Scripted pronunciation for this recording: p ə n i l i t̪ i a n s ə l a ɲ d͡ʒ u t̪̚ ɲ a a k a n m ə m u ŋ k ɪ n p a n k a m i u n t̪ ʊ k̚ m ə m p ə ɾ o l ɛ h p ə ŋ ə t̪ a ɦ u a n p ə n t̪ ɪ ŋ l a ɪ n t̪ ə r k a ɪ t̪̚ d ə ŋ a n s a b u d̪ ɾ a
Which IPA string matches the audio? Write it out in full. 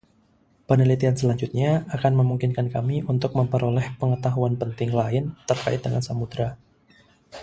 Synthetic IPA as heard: p ə n i l i t̪ i a n s ə l a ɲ d͡ʒ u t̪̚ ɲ a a k a n m ə m u ŋ k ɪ n k a n k a m i u n t̪ ʊ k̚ m ə m p ə ɾ o l ɛ h p ə ŋ ə t̪ a ɦ u a n p ə n t̪ ɪ ŋ l a ɪ n t̪ ə r k a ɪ t̪̚ d ə ŋ a n s a m u d̪ ɾ a